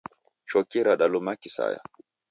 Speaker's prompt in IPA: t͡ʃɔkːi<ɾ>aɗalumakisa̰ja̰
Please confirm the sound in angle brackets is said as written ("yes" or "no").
yes